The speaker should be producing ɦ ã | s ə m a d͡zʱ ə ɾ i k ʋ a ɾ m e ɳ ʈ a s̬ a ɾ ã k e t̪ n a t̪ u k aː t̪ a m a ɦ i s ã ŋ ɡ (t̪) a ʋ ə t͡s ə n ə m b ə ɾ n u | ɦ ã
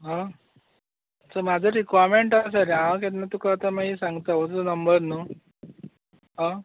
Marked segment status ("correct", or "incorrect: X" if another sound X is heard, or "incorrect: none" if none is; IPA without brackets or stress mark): correct